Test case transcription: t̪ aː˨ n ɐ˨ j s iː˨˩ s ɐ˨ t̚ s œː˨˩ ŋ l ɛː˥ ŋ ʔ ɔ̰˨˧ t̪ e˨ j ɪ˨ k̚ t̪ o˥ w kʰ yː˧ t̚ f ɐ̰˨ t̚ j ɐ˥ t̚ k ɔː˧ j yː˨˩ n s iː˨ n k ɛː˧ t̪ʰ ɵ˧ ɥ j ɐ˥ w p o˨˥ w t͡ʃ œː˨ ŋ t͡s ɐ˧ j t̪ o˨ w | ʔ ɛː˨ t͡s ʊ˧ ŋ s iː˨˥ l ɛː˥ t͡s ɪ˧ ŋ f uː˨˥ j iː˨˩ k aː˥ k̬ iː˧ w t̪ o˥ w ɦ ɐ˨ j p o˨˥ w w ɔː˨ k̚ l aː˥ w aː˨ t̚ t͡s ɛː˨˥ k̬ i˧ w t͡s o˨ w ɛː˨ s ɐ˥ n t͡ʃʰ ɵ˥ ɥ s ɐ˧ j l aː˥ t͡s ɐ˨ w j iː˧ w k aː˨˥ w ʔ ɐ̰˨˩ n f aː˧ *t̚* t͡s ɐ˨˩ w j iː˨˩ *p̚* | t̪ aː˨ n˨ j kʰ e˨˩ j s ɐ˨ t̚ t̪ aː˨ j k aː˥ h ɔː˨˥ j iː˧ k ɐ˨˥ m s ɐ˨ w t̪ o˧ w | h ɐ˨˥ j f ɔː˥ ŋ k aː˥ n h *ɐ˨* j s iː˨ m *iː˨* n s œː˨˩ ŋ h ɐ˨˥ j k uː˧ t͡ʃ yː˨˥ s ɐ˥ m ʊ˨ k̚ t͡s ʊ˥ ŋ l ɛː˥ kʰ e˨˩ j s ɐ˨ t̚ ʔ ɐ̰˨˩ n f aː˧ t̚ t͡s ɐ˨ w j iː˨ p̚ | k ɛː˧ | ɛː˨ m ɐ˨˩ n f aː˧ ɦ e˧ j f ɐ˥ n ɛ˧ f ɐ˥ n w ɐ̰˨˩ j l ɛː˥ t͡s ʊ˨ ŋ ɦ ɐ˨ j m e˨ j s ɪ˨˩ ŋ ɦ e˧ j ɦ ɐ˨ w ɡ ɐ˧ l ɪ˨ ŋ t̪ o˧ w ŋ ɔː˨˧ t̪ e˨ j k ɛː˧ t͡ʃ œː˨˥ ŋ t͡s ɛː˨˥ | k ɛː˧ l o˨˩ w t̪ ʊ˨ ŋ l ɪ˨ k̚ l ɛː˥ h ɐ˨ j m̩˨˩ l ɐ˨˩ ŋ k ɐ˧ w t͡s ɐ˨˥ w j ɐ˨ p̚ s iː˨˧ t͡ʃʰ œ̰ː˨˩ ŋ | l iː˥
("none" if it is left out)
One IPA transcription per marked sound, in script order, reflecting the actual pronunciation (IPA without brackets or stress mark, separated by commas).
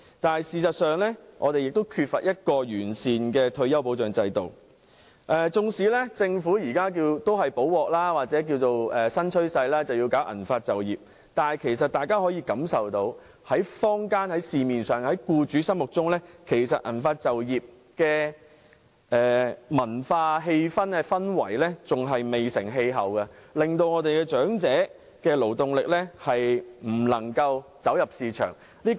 t̚, p̚, ɐ˨˥, iː˨